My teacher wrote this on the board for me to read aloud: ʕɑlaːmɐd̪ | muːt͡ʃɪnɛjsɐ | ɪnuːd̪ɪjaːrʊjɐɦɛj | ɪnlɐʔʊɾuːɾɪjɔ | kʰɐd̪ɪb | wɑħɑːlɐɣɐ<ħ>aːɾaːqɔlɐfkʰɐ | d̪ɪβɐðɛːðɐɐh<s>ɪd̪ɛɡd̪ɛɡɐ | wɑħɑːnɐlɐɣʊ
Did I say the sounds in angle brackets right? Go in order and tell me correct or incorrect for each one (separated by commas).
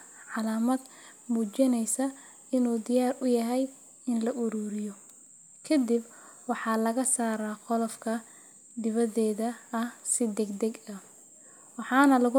incorrect, correct